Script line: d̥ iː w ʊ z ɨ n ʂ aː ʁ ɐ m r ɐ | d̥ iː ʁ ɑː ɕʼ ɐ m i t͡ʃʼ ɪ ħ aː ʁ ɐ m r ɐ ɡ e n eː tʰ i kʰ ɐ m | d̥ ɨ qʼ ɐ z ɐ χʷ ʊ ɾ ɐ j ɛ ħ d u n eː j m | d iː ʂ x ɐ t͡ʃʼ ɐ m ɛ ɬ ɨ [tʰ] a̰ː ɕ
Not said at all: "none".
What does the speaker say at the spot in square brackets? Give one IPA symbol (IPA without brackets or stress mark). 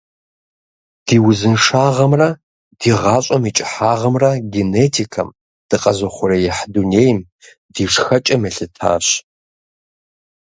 tʰ